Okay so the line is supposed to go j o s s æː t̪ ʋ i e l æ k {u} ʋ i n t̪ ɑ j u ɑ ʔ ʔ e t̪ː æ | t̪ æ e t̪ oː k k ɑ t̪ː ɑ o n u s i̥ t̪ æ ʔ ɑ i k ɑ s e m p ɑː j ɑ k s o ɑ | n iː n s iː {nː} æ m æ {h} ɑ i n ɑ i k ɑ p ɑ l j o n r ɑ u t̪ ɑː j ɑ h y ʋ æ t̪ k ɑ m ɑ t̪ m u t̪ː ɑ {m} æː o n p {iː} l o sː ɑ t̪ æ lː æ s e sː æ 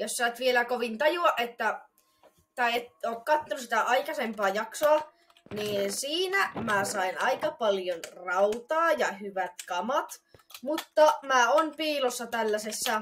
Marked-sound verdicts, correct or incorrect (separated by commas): incorrect, incorrect, incorrect, correct, correct